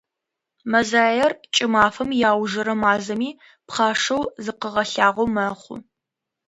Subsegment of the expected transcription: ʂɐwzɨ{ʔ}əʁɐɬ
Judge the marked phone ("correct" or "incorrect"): incorrect